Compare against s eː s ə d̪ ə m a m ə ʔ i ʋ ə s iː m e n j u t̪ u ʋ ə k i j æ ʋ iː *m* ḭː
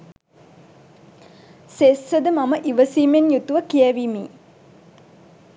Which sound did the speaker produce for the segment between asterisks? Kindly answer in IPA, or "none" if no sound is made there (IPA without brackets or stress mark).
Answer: m